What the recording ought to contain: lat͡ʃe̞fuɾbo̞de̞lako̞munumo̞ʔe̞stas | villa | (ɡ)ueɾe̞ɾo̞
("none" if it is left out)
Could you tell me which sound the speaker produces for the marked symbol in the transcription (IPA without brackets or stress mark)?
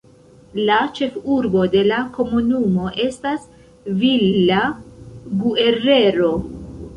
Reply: ɡ